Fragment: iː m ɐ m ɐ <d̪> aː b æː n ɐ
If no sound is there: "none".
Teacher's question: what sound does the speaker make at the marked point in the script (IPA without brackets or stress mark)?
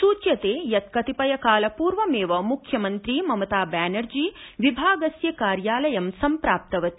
t̪